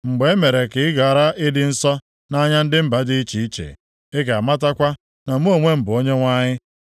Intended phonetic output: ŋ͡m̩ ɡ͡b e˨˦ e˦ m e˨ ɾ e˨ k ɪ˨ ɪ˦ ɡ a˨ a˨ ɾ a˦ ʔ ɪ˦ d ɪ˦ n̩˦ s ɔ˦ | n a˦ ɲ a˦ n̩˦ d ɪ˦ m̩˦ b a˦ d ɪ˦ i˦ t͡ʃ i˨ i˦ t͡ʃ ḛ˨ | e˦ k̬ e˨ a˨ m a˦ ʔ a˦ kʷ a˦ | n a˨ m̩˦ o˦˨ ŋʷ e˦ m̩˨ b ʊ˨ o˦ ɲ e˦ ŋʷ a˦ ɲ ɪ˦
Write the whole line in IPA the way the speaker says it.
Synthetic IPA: ŋ͡m̩ ɡ͡b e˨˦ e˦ m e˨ ɾ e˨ k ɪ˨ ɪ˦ ɡ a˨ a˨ ɾ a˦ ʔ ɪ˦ d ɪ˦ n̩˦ s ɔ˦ | n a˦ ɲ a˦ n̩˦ d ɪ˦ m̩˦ b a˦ d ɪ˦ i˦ t͡ʃ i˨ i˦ t͡ʃ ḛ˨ | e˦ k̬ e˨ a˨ m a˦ t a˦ kʷ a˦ | n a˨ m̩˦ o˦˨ ŋʷ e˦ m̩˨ b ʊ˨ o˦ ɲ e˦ ŋʷ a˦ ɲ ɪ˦

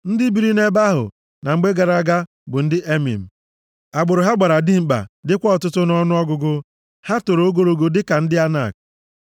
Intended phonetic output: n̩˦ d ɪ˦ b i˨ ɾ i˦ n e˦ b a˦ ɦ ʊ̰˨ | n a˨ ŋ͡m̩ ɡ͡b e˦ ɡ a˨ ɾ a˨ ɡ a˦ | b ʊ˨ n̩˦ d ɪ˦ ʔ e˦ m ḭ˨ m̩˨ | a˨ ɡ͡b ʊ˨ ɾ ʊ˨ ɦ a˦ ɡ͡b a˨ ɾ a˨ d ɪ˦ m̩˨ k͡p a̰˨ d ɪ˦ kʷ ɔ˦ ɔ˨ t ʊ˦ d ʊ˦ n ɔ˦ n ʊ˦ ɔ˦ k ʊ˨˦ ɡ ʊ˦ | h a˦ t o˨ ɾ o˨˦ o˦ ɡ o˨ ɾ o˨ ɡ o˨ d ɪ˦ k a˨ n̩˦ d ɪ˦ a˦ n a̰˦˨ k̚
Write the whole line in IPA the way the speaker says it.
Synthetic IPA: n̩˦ d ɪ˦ b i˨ ɾ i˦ n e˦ b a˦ ɦ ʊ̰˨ | n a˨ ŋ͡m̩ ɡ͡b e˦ ɡ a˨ ɾ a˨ ɡ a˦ | b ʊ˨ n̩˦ d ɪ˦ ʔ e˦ m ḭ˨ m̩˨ | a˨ ɡ͡b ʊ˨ ɾ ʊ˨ ɦ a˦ ɡ͡b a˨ ɾ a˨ d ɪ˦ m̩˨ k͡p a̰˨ d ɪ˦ kʷ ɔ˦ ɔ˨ t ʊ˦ t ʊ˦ n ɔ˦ n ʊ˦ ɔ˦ ɡ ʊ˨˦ ɡ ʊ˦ | h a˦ t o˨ ɾ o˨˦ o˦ ɡ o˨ ɾ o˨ ɡ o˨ d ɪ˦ k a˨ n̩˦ d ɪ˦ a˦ n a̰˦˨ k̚

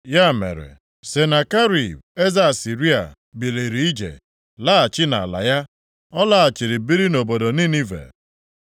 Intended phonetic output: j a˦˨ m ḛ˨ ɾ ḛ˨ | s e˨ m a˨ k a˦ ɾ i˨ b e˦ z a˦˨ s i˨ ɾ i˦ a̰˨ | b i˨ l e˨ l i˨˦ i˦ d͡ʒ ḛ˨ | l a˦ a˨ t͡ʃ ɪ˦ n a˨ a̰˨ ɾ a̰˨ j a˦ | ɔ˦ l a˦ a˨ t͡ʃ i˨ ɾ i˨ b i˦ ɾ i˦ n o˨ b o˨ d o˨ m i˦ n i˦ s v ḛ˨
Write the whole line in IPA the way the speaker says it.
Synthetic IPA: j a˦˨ m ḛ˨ ɾ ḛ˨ | s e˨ n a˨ k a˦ ɾ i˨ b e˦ z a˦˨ s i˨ ɾ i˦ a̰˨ | b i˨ l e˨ ɾ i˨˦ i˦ d͡ʒ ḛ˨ | l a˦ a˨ t͡ʃ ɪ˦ n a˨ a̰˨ l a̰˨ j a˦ | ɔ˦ l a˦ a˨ t͡ʃ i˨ ɾ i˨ b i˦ ɾ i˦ n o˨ b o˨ d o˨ n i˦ n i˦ v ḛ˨

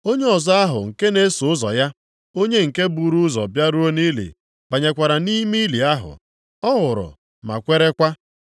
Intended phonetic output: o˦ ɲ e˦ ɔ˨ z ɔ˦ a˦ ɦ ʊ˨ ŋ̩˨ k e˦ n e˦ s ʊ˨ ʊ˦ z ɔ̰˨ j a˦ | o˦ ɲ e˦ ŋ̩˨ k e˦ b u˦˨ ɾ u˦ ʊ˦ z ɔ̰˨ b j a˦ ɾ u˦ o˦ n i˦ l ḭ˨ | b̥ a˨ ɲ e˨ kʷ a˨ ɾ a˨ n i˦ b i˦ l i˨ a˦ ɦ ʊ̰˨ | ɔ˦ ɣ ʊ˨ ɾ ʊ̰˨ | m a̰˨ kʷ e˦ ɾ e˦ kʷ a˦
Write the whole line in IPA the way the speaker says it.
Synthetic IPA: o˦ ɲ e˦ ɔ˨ z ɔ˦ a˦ ɦ ʊ˨ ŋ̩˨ k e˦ n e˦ s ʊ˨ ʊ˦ z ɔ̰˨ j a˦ | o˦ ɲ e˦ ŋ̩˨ k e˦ b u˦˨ ɾ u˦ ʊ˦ z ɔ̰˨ b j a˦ ɾ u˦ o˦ n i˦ l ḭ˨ | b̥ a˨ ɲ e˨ kʷ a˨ ɾ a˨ n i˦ m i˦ l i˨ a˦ ɦ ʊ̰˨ | ɔ˦ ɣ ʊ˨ ɾ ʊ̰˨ | m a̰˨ kʷ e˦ ɾ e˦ kʷ a˦

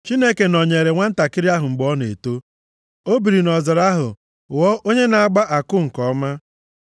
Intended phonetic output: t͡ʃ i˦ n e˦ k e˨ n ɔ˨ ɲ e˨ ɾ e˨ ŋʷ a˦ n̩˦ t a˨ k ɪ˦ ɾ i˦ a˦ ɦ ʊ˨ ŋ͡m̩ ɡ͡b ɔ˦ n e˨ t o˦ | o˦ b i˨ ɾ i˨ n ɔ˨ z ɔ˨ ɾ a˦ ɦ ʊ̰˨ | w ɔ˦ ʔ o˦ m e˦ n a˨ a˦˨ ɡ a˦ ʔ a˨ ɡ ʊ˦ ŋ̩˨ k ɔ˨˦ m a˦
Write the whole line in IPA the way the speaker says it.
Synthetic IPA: t͡ʃ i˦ n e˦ k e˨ n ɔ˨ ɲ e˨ ɾ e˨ ŋʷ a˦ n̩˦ t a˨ k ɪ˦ ɾ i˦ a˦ ɦ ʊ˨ ŋ͡m̩ ɡ͡b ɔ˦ n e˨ t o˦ | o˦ b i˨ ɾ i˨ n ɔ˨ z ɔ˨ ɾ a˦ ɦ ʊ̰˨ | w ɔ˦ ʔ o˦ ɲ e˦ n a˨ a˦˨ ɡ͡b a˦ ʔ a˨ k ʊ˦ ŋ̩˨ k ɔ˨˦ m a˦

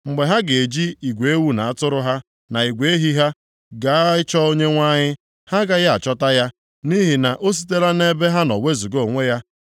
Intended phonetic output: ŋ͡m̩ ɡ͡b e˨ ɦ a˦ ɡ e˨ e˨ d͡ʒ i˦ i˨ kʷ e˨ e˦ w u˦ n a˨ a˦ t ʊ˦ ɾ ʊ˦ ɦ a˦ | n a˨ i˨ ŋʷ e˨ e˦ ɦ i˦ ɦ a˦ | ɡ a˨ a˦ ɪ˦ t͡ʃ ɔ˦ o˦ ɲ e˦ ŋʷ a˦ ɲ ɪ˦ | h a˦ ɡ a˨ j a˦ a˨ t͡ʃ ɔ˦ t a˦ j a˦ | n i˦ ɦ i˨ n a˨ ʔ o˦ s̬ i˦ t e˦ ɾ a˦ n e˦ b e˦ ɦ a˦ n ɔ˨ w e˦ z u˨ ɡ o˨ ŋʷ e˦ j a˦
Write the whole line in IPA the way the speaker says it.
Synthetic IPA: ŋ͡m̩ ɡ͡b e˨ ɦ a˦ ɡ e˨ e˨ d͡ʒ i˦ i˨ ɡʷ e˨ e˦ w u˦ n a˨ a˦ t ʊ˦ ɾ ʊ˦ ɦ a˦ | n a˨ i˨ ɡʷ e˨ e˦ ɦ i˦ ɦ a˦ | ɡ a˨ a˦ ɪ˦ t͡ʃ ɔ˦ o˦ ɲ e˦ ŋʷ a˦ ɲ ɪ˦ | h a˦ ɡ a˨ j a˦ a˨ t͡ʃ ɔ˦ t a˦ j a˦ | n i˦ ɦ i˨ n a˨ ʔ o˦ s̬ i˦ t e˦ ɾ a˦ n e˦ b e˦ ɦ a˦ n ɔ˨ w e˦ z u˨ ɡ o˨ ŋʷ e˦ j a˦

